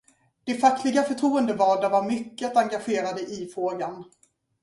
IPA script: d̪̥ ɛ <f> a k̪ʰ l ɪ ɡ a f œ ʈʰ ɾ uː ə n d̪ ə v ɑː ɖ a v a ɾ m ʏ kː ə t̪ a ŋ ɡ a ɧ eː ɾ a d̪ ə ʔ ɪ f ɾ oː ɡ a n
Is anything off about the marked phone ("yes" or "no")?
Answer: no